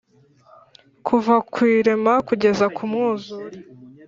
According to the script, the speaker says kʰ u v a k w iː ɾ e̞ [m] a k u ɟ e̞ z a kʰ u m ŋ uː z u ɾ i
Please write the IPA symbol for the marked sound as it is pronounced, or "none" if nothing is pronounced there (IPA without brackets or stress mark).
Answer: m